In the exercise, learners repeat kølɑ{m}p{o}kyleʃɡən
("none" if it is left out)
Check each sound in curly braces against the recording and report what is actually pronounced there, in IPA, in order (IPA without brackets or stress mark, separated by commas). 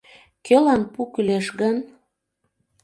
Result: n, u